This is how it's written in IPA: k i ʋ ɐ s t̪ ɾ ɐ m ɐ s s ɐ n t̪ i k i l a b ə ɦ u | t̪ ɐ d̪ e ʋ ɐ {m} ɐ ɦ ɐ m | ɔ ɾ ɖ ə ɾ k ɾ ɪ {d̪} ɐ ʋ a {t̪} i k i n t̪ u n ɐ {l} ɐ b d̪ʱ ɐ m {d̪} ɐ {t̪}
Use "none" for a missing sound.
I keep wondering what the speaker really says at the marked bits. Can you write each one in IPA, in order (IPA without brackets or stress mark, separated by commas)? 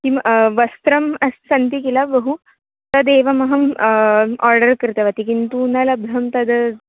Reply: m, t̪, t̪, l, t̪, d̪